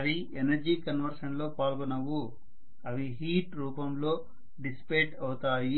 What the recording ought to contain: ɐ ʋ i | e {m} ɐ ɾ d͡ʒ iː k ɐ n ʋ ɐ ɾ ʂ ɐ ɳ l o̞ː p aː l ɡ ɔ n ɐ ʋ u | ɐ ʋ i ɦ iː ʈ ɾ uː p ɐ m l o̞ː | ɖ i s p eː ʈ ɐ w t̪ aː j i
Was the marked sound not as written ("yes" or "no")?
yes